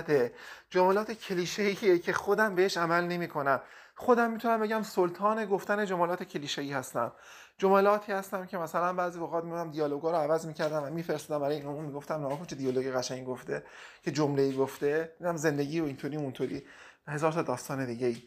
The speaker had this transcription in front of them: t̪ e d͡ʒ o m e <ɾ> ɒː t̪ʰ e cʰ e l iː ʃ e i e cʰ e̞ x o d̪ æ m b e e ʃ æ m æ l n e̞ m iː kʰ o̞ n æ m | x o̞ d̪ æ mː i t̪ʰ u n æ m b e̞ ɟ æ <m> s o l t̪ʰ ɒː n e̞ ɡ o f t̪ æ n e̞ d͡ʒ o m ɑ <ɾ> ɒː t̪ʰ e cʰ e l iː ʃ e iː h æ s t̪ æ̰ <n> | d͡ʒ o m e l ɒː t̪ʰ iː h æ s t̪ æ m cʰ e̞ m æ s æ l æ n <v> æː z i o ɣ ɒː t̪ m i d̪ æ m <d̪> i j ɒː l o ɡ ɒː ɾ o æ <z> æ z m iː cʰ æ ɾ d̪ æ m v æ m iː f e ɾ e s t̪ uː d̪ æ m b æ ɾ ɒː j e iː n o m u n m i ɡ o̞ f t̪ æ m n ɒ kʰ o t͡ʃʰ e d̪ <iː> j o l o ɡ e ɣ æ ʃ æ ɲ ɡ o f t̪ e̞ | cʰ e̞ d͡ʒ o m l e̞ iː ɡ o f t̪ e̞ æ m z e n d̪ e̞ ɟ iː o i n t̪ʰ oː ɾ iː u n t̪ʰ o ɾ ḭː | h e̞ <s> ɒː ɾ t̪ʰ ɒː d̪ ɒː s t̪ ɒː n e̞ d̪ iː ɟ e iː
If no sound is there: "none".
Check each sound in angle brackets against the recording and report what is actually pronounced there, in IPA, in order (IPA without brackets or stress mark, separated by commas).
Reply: l, m, l, m, b, d̪, v, i, z